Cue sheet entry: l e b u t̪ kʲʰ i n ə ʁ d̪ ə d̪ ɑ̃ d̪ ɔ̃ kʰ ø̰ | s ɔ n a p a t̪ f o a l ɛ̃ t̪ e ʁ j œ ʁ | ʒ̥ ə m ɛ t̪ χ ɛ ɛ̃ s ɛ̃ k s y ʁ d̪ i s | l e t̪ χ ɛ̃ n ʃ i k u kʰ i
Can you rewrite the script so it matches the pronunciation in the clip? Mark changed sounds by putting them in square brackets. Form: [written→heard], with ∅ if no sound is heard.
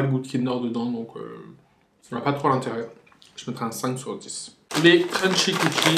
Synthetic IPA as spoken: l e b u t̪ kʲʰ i n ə ʁ d̪ ə d̪ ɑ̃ d̪ ɔ̃ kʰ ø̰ | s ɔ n a p a t̪ [f→χ] o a l ɛ̃ t̪ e ʁ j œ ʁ | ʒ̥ ə m ɛ t̪ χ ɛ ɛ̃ s ɛ̃ k s y ʁ d̪ i s | l e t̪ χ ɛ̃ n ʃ i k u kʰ i